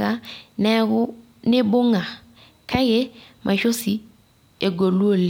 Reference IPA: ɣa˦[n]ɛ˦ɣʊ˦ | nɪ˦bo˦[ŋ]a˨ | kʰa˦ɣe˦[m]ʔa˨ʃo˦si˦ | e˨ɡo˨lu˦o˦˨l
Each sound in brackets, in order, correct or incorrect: correct, correct, correct

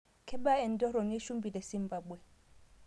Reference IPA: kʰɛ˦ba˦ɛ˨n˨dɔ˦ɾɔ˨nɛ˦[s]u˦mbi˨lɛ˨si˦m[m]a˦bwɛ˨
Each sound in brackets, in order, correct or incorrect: incorrect, incorrect

